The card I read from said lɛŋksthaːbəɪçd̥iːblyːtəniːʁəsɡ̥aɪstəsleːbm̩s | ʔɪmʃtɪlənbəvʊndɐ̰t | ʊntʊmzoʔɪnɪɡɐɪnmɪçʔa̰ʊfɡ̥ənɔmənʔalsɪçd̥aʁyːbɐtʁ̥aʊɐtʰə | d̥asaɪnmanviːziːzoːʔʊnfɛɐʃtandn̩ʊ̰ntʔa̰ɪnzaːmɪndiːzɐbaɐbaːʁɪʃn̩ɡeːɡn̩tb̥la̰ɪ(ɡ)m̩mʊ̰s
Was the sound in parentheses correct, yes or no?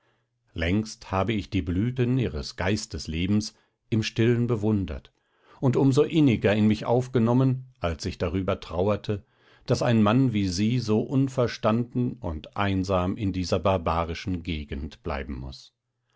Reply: no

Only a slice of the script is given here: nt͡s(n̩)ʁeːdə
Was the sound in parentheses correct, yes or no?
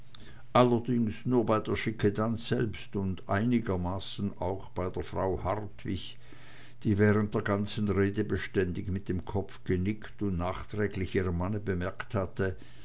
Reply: yes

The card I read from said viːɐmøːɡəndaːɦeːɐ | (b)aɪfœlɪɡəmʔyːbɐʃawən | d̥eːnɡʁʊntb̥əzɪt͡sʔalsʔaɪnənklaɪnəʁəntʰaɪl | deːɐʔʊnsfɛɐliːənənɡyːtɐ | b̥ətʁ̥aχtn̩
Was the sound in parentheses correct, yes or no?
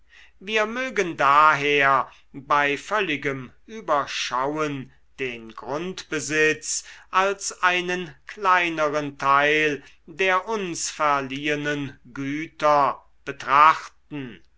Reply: yes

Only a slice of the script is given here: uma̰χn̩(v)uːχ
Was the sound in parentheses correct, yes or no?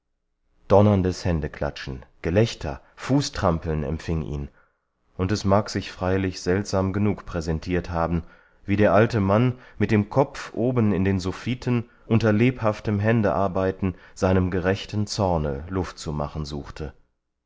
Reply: no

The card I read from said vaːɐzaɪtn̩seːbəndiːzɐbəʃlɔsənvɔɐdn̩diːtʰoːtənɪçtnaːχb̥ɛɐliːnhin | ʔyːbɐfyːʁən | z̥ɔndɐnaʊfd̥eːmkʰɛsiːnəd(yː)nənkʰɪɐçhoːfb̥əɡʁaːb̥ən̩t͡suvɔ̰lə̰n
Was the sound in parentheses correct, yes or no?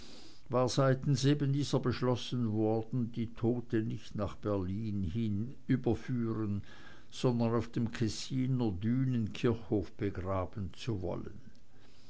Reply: yes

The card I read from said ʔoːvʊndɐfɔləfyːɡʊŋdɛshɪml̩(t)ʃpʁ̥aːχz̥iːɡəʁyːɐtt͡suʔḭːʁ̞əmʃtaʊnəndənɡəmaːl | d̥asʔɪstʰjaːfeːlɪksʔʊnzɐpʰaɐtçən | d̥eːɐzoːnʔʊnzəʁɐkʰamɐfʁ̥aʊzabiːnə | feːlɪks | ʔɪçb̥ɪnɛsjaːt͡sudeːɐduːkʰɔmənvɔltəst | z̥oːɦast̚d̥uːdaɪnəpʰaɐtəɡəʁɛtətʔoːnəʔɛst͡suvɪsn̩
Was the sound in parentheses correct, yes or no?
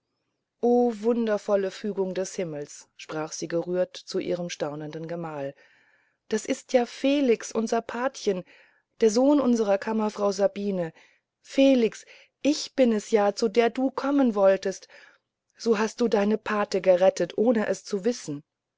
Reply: no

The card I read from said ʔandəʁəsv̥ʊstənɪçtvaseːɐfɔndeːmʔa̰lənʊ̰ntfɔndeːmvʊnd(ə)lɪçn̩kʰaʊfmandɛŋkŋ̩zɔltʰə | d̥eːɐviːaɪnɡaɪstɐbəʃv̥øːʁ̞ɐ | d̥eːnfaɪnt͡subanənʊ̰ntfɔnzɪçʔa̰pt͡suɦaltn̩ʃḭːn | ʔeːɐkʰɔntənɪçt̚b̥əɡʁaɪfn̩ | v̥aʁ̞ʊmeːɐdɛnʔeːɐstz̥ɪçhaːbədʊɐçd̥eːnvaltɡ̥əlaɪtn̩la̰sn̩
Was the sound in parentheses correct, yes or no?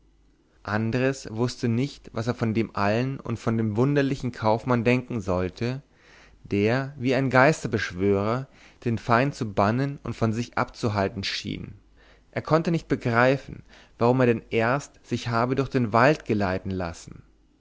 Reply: no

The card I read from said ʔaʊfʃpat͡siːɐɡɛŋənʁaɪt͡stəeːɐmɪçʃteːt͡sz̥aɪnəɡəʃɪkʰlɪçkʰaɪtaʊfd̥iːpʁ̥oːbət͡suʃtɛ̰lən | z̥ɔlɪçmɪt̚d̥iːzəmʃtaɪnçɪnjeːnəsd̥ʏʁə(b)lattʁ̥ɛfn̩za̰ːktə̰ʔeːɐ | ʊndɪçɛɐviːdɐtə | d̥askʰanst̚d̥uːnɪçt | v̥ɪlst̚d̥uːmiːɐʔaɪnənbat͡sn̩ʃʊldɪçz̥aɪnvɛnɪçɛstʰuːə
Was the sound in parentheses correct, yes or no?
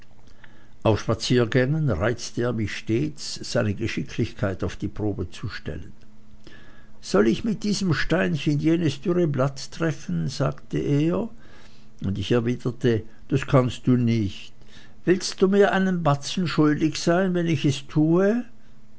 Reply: yes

